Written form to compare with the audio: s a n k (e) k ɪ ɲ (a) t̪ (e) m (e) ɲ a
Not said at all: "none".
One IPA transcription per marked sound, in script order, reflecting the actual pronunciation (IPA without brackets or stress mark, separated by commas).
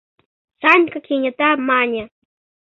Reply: a, a, a, a